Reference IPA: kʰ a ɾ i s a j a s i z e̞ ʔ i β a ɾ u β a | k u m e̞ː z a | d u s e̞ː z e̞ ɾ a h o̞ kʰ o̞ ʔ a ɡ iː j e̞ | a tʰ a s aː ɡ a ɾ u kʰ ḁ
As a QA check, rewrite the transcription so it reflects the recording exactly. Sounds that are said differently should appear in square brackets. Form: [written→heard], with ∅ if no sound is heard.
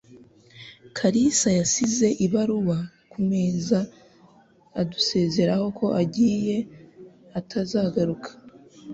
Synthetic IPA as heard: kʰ a ɾ i s a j a s i z e̞ ʔ i β a ɾ u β a | k u m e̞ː z a | d u s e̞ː z e̞ ɾ a h o̞ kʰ o̞ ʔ a [ɡ→ɟ] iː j e̞ | a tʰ a [s→z] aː ɡ a ɾ u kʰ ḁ

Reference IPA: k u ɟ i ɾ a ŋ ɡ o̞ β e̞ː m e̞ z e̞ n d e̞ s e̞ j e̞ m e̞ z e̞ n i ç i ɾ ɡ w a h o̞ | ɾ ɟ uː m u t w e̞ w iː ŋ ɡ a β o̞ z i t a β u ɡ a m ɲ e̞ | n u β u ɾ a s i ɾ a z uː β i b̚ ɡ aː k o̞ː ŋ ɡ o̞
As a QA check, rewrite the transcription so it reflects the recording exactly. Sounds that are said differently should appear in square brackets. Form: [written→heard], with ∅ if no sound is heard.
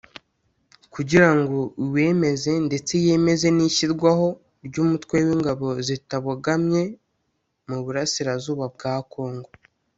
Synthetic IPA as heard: k u ɟ i ɾ a ŋ ɡ o̞ [β→w] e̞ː m e̞ z e̞ n d e̞ [s→t͡s] e̞ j e̞ m e̞ z e̞ n i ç i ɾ ɡ w a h o̞ | ɾ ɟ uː m u t w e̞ w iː ŋ ɡ a β o̞ z i t a β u ɡ a m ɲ e̞ | [n→m] u β u ɾ a s i ɾ a z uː β [i→a] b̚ ɡ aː k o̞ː ŋ ɡ o̞

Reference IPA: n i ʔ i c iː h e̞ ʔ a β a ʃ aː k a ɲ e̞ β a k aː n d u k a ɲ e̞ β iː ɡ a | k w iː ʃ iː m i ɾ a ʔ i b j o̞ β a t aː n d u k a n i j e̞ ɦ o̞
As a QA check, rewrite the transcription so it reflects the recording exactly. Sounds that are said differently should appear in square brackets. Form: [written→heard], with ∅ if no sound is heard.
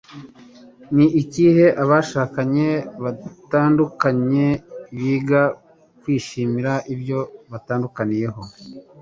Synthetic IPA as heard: n i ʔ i c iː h e̞ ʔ a β a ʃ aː k a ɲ e̞ β a [k→t] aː n d u k a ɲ e̞ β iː ɡ a | k w iː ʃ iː m i ɾ a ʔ i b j o̞ β a t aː n d u k a n i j e̞ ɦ o̞

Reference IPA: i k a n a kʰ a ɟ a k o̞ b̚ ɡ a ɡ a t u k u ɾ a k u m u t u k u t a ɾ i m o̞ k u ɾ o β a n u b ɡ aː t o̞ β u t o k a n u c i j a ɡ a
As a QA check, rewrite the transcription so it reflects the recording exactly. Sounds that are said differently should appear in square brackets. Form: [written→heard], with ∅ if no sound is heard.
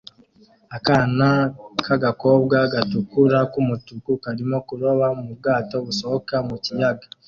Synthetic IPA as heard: [i→a] k a n a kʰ a [ɟ→ɡ] a k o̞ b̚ ɡ a ɡ a t u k u ɾ a k u m u t u k u [t→k] a ɾ i m o̞ k u ɾ o β a [n→m] u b ɡ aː t o̞ β u [t→s] o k a [n→m] u c i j a ɡ a

